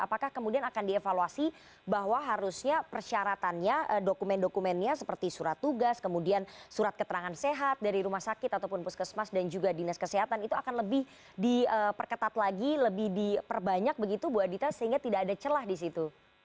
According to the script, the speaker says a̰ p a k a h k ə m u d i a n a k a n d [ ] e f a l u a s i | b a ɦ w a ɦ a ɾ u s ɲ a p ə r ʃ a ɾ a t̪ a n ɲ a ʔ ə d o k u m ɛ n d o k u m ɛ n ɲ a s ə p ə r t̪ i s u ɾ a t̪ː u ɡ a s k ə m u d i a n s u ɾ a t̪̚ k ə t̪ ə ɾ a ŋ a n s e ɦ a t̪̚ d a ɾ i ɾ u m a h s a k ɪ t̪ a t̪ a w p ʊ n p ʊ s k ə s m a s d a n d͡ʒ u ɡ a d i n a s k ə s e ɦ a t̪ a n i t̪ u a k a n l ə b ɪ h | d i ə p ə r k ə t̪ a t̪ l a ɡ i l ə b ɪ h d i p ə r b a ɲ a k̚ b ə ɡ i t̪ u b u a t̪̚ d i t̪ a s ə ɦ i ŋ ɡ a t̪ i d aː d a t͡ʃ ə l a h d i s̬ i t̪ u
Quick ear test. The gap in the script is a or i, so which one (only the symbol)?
i